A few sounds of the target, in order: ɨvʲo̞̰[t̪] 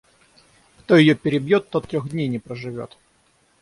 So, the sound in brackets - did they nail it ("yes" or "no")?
yes